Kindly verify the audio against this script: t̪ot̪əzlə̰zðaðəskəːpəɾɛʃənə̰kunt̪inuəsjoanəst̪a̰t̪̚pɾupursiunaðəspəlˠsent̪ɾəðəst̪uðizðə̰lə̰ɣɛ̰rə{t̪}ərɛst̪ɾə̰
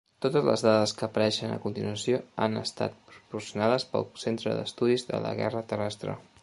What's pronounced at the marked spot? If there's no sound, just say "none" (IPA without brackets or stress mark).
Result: t̪